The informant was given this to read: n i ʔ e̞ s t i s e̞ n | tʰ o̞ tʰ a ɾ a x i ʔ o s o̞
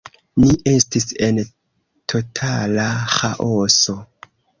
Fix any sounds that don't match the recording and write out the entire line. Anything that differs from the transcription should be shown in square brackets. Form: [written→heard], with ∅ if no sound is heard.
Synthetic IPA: n i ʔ e̞ s t i s e̞ n | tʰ o̞ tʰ a [ɾ→l] a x [i→a] ʔ o s o̞